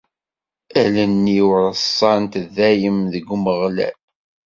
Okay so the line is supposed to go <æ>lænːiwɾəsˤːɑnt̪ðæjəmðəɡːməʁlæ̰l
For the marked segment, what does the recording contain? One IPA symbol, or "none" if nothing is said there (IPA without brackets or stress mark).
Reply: æ